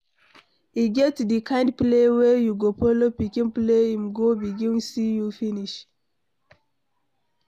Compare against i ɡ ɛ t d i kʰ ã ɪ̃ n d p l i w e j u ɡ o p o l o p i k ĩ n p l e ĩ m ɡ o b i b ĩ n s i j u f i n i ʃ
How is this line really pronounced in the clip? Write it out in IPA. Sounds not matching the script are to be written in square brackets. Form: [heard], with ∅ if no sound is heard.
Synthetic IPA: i ɡ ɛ t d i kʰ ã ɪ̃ n d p l [e] w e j u ɡ o p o l o p i k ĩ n p l e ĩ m ɡ o b i [ɡ] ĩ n s i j u f i n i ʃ